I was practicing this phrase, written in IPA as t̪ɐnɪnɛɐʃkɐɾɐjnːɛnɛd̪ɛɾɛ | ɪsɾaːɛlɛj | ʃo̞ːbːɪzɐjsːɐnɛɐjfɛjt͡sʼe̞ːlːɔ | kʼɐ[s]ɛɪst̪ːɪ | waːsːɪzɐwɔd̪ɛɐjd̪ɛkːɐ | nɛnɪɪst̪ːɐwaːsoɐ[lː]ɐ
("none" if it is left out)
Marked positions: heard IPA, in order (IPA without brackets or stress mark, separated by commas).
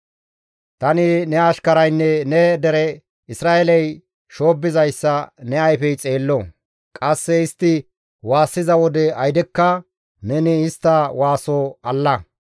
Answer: sː, lː